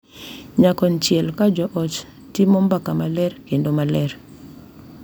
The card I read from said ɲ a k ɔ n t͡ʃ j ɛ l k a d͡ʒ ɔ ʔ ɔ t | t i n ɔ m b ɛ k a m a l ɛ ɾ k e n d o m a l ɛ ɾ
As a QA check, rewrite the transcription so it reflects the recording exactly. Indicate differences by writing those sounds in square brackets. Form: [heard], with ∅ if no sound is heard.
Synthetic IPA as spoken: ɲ a k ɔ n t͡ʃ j ɛ l k a d͡ʒ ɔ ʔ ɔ [t͡ʃ] | t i [m] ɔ m b [a] k a m a l ɛ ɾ k e n d o m a l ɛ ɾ